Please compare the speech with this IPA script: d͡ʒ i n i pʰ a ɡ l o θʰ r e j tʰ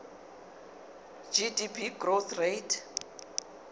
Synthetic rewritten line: d͡ʒ i d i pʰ i ɡ r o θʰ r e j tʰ